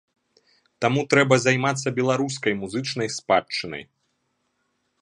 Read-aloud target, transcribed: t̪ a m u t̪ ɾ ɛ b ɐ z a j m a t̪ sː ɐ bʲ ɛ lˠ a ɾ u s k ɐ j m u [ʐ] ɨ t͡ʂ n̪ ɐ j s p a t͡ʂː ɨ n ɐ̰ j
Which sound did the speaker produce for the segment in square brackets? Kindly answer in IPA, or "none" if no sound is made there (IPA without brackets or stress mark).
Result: z